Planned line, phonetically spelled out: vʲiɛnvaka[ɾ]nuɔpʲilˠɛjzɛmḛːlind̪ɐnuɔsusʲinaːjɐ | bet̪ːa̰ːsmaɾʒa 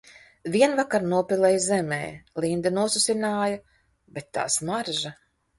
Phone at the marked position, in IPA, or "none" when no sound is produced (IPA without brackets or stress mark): ɾ